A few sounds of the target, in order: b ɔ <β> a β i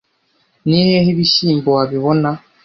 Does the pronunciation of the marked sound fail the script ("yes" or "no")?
yes